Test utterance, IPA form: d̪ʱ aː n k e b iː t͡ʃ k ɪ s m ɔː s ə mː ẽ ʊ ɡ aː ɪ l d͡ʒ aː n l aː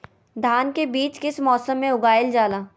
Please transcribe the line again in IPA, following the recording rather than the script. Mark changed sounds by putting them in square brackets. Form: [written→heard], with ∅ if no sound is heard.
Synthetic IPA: d̪ʱ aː n k e b iː t͡ʃ k ɪ s m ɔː s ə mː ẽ ʊ ɡ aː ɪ l d͡ʒ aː [n→∅] l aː